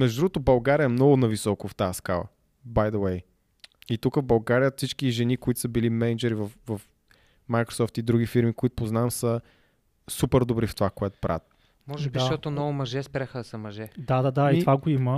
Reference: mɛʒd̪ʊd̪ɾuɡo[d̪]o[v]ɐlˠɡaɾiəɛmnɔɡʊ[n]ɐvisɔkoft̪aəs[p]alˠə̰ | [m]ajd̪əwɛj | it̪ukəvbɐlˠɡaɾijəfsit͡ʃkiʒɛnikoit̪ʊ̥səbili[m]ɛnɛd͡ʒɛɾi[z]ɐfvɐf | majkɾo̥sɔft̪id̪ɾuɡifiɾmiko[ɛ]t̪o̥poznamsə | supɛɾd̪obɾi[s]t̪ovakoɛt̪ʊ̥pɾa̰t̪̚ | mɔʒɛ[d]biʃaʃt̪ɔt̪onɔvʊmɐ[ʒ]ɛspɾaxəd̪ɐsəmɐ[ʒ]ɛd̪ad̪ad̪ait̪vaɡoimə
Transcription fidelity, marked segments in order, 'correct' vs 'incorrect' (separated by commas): incorrect, incorrect, correct, incorrect, incorrect, correct, incorrect, incorrect, incorrect, correct, correct, correct